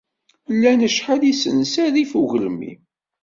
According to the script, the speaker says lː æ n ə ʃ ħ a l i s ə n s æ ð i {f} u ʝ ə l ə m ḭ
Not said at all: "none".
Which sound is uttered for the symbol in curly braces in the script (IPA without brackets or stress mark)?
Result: f